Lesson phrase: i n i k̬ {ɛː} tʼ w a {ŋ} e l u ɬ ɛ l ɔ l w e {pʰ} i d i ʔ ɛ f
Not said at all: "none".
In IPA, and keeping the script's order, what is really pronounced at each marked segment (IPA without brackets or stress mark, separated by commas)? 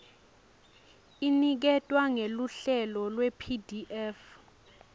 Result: ɛ, ŋ, pʰ